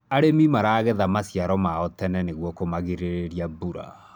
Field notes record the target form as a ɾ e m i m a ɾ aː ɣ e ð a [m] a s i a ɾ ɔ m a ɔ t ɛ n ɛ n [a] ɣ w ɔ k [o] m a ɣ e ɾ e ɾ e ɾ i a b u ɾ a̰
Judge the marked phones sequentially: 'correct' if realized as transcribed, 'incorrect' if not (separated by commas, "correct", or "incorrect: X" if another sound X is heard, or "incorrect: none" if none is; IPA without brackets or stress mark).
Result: correct, incorrect: e, correct